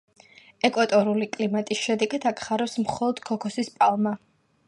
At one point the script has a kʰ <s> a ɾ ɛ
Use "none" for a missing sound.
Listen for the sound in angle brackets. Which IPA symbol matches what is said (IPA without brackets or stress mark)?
χ